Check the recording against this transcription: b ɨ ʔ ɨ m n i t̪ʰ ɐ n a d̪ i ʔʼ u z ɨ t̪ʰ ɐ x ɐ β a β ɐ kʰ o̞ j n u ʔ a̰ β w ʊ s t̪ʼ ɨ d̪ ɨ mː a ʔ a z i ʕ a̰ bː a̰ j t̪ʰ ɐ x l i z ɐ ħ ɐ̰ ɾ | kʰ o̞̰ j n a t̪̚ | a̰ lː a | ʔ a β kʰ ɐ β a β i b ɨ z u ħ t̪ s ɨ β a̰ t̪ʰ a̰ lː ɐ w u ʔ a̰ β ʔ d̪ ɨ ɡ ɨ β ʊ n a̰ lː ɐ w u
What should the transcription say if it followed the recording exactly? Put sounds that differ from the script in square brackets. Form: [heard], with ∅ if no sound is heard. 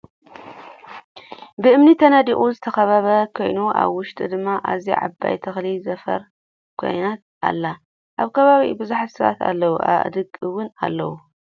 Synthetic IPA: b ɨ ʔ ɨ m n i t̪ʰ ɐ n a d̪ i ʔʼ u z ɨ t̪ʰ ɐ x ɐ β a β ɐ kʰ o̞ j n u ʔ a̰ β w ʊ [ʃ] t̪ʼ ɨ d̪ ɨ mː a ʔ a z i ʕ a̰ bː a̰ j t̪ʰ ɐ x l i z ɐ [f] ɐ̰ ɾ | kʰ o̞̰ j n a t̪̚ | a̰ lː a | ʔ a β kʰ ɐ β a β i b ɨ z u ħ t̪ s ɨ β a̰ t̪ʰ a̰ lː ɐ w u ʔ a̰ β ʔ d̪ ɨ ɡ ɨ [w] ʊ n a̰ lː ɐ w u